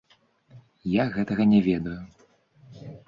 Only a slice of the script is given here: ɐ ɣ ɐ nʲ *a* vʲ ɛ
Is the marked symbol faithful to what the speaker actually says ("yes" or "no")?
no